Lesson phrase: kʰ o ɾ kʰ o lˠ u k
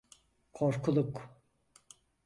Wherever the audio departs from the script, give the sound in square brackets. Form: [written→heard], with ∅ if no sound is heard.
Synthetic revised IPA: kʰ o ɾ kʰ [o→u] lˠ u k